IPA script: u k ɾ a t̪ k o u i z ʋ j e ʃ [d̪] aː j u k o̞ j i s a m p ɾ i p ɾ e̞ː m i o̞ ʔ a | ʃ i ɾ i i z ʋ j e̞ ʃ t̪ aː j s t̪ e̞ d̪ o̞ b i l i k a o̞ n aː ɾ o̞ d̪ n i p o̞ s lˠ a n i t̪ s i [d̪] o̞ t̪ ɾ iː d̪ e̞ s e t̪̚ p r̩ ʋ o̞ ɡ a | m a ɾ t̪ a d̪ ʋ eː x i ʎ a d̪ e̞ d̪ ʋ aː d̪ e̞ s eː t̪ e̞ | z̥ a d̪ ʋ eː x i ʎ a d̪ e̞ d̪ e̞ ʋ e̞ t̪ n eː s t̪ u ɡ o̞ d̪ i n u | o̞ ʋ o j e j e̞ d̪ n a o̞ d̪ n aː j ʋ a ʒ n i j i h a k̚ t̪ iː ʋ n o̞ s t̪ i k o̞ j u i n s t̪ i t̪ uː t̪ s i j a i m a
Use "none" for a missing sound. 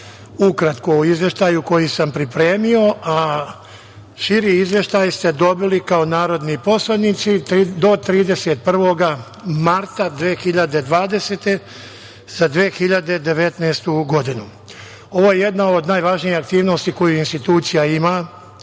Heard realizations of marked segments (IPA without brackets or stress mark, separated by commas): t̪, d̪